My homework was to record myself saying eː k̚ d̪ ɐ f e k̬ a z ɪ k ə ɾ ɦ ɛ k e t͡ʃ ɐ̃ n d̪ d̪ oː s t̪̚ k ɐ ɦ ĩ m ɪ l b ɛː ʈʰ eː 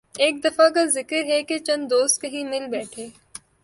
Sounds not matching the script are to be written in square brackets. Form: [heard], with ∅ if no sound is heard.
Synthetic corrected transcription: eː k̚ d̪ ɐ f [a] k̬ a z ɪ k ə ɾ ɦ ɛ k e t͡ʃ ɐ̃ n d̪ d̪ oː s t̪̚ k ɐ ɦ ĩ m ɪ l b ɛː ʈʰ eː